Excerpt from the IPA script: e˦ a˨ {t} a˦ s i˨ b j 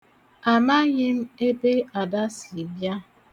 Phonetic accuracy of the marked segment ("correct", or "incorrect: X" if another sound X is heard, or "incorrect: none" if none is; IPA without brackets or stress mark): incorrect: d